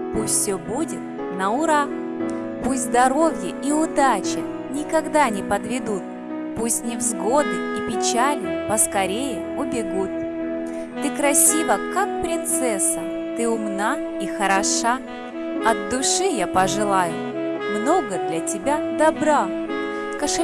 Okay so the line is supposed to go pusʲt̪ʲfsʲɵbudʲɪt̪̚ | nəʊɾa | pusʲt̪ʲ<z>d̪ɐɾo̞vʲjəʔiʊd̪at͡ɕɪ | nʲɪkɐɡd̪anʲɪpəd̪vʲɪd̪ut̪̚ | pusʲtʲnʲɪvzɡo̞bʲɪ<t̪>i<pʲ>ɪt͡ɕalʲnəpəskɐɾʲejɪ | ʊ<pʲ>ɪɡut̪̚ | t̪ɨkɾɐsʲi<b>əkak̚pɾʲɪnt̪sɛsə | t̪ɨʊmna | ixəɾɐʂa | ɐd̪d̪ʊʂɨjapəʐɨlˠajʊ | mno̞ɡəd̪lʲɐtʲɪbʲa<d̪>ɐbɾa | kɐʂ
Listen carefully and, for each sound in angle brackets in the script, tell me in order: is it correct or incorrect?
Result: correct, correct, correct, incorrect, incorrect, correct

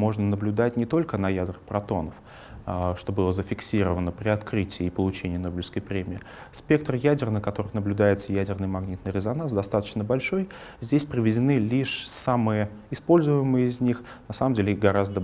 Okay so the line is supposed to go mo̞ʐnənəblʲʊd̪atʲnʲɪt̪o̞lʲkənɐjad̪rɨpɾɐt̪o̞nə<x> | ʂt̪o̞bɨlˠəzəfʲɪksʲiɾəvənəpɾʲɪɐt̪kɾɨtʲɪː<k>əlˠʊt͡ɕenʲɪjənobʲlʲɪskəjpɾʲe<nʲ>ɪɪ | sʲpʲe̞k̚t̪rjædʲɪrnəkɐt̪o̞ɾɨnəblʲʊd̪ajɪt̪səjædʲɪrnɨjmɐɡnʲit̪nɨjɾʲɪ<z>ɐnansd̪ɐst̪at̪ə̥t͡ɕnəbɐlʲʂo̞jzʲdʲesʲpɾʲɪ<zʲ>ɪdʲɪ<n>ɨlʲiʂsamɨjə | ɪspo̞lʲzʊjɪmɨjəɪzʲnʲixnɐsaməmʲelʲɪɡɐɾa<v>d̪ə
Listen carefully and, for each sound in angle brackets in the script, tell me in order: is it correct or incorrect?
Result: incorrect, incorrect, incorrect, correct, incorrect, correct, incorrect

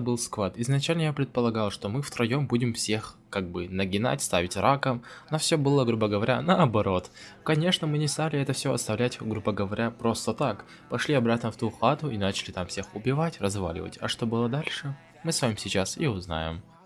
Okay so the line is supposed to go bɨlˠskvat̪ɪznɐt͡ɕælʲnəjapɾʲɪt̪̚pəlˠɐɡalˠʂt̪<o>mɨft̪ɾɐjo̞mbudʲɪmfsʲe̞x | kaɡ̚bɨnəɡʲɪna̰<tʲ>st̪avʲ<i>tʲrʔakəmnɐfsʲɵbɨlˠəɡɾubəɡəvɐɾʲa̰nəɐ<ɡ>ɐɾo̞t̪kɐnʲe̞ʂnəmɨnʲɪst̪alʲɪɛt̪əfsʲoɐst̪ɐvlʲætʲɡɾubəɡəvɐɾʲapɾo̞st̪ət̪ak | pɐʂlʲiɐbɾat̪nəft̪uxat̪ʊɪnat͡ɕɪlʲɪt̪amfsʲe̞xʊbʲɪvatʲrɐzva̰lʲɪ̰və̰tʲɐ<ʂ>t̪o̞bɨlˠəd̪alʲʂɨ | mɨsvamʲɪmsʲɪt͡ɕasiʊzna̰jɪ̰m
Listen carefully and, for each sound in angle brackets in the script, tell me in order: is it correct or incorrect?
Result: correct, correct, incorrect, incorrect, correct

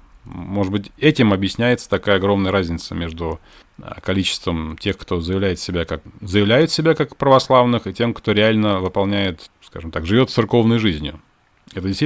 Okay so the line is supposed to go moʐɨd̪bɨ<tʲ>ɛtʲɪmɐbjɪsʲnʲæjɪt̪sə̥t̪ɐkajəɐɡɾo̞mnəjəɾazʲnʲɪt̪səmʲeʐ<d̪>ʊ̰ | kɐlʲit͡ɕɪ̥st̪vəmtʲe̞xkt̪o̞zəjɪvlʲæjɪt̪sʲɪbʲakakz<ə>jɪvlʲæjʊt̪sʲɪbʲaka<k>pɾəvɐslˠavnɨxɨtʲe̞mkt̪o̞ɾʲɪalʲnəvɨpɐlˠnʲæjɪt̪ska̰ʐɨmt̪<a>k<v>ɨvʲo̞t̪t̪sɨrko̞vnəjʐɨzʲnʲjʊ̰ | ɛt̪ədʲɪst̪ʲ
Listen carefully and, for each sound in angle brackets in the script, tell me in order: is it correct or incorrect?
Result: correct, correct, correct, correct, correct, incorrect

